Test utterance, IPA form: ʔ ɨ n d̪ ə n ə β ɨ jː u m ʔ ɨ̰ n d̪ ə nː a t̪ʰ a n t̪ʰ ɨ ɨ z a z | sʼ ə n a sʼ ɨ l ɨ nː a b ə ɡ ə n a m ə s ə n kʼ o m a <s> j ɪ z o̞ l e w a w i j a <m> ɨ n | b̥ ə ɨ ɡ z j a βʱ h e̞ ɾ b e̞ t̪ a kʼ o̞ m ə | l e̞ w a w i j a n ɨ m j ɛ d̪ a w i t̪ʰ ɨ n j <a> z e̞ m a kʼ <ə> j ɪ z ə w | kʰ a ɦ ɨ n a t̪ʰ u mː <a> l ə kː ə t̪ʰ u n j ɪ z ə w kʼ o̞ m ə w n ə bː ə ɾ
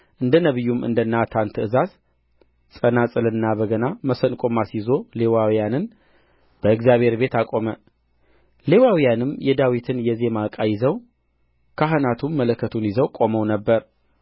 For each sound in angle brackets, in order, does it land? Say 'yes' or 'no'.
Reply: yes, no, no, no, no

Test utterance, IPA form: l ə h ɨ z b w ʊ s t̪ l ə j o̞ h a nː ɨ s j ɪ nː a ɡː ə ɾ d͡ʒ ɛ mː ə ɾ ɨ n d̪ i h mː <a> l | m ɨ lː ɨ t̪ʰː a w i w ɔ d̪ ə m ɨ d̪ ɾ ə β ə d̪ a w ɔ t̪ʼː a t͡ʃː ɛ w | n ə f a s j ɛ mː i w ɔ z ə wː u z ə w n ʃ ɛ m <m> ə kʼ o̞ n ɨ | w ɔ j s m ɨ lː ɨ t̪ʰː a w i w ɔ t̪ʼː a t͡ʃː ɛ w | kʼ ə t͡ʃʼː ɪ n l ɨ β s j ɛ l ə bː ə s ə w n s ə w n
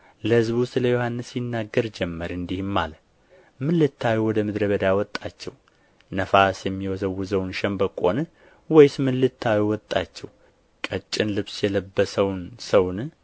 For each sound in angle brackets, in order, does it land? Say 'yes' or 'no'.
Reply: yes, no

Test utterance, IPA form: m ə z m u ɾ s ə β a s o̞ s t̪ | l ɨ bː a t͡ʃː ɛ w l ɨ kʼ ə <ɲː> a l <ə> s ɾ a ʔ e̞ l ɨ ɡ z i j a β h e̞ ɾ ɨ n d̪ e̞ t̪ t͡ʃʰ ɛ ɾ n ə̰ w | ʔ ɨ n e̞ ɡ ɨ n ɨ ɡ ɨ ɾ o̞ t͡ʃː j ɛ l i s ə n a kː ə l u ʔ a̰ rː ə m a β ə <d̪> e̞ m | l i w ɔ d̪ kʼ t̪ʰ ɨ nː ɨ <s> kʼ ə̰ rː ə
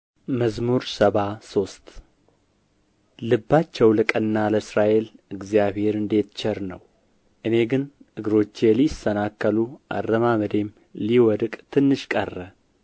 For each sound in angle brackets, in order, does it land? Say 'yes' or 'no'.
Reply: no, yes, yes, no

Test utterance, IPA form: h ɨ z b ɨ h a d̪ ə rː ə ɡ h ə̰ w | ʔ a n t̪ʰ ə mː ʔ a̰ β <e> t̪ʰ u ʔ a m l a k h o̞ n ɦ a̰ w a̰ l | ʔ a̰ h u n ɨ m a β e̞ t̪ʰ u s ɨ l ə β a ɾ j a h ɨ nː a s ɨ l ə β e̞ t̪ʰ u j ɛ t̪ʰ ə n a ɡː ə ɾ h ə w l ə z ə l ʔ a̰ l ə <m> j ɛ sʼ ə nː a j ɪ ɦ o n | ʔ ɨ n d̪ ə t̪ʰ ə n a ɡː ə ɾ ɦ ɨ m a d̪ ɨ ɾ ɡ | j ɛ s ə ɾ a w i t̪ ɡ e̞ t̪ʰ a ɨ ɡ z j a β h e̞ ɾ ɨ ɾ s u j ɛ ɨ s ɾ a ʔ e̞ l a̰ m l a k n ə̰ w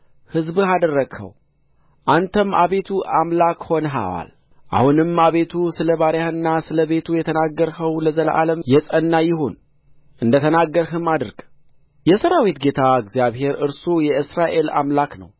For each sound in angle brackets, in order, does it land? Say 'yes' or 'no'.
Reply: yes, yes

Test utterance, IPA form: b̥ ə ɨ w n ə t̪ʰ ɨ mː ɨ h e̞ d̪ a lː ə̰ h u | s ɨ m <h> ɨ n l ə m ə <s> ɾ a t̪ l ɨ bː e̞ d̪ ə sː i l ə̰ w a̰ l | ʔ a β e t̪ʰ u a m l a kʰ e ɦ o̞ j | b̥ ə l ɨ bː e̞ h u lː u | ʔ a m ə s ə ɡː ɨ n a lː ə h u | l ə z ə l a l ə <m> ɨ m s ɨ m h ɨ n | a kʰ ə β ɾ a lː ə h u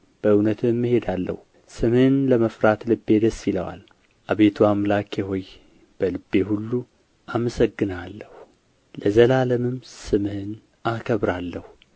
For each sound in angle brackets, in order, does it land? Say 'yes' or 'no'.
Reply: yes, no, yes

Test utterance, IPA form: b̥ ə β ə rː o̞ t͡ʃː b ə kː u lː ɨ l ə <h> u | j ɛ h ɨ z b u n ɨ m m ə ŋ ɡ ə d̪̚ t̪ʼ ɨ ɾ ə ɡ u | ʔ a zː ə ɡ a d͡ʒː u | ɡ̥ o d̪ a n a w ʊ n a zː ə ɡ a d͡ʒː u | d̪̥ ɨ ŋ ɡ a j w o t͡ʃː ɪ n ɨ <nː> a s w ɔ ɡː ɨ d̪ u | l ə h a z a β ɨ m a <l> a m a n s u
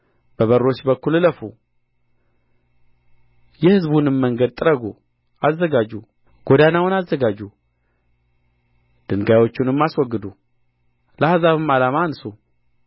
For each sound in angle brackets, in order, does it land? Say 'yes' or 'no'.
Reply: no, no, yes

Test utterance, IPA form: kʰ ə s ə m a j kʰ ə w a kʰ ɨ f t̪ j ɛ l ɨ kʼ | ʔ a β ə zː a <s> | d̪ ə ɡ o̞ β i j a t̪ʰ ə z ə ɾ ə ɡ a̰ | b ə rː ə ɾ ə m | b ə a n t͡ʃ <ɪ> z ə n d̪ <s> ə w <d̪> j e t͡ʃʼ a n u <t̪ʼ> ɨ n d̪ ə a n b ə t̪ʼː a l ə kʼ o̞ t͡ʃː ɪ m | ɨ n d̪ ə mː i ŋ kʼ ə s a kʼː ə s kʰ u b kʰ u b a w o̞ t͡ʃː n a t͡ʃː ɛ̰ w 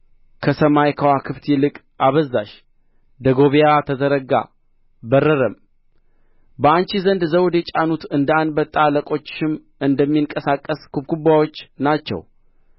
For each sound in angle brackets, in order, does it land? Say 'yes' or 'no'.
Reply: no, no, no, yes, no

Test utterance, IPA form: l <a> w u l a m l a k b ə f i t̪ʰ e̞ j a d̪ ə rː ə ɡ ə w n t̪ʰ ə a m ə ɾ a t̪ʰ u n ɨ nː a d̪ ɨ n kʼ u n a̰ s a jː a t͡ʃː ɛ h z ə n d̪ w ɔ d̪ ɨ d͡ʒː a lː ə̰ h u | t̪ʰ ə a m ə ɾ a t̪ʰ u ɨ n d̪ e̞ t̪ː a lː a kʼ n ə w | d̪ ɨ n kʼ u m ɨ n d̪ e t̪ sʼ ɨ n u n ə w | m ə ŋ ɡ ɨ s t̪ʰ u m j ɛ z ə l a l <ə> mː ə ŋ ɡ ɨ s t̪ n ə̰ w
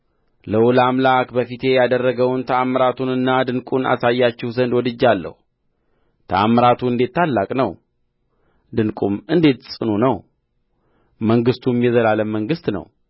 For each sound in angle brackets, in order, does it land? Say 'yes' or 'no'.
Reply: no, yes

